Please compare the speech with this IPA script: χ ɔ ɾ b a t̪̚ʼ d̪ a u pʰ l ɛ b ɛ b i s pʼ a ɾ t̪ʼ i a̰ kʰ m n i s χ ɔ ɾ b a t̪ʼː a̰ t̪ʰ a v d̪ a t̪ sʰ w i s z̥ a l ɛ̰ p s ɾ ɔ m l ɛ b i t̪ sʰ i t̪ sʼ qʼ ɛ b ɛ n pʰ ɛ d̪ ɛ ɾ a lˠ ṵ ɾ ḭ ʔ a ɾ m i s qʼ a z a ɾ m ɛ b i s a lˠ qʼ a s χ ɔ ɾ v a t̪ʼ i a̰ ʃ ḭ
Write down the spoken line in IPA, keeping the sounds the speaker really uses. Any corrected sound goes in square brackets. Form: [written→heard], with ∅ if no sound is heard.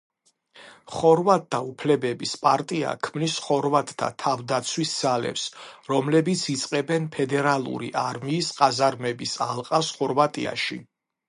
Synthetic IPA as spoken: χ ɔ ɾ [b→v] a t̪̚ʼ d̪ a u pʰ l ɛ b ɛ b i s pʼ a ɾ t̪ʼ i a̰ kʰ m n i s χ ɔ ɾ [b→v] a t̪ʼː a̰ t̪ʰ a v d̪ a t̪ sʰ w i s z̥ a l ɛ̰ p s ɾ ɔ m l ɛ b i t̪ sʰ i t̪ sʼ qʼ ɛ b ɛ n pʰ ɛ d̪ ɛ ɾ a lˠ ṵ ɾ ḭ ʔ a ɾ m [i→iː] s qʼ a z a ɾ m ɛ b i s a lˠ qʼ a s χ ɔ ɾ v a t̪ʼ i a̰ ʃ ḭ